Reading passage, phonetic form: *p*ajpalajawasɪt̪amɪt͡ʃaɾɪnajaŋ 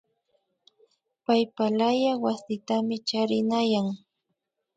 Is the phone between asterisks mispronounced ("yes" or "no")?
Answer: no